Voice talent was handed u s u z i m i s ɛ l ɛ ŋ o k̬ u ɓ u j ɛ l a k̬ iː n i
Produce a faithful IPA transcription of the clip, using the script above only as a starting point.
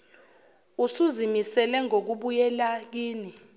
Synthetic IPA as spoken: u s u z i m i s ɛ l ɛ ŋ o k̬ u ɓ u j ɛ l a k̬ iː n i